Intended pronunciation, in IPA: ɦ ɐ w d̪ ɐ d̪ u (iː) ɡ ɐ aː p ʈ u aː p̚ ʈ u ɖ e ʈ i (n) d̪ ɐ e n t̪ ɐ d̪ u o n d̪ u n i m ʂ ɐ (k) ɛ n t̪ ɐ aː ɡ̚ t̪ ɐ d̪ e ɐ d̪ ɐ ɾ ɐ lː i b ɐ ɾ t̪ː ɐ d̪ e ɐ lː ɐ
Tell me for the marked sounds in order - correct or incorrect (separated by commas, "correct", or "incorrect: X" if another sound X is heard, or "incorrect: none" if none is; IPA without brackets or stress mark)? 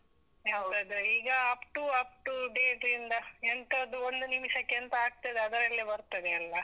correct, correct, correct